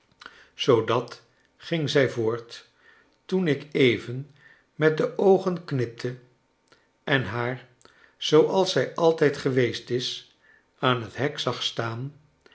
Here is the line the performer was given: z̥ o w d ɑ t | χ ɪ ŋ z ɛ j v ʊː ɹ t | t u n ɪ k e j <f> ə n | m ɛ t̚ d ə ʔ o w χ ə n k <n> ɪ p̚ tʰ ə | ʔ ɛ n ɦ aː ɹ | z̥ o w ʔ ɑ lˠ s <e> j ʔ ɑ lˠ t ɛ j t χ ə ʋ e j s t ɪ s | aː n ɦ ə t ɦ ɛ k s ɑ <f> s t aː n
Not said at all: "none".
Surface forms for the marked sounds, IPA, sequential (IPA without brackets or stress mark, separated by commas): v, n, ɛ, χ